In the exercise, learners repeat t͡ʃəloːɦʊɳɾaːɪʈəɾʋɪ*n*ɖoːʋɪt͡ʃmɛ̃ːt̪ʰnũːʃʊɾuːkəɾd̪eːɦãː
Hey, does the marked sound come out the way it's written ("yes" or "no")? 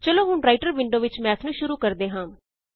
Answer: no